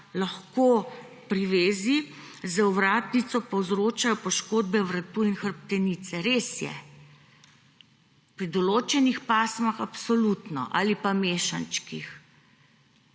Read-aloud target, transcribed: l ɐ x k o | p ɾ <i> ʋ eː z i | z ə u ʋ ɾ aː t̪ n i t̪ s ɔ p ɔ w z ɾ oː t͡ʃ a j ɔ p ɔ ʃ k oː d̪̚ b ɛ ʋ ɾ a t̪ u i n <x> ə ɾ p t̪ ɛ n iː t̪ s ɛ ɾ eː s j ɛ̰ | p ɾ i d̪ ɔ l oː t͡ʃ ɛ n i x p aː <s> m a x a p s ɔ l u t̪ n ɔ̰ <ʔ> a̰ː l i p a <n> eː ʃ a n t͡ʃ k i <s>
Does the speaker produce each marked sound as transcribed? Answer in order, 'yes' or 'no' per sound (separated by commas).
yes, yes, yes, yes, no, no